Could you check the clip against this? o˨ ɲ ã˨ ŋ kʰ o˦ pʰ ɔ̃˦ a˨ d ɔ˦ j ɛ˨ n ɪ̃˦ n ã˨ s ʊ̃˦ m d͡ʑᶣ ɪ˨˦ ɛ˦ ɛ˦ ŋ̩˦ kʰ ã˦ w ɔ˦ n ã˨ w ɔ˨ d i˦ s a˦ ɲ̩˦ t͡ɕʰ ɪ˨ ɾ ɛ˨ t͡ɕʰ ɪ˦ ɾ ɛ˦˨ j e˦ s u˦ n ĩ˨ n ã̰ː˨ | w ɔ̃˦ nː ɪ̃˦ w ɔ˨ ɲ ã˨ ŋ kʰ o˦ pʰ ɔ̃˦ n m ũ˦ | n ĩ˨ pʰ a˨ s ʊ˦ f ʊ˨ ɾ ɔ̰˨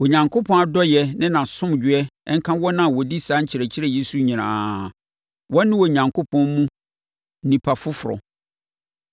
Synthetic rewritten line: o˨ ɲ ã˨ ŋ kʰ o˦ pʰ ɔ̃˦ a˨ d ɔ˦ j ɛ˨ n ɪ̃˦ n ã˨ s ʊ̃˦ m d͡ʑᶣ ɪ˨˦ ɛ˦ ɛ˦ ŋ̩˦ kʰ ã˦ w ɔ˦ n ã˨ w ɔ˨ d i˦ s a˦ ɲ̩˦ t͡ɕʰ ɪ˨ ɾ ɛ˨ t͡ɕʰ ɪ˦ ɾ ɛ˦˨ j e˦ s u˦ ɲ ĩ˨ n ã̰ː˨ | w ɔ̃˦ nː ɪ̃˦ w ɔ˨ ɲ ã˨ ŋ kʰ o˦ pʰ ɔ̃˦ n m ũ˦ | n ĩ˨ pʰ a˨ f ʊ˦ f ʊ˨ ɾ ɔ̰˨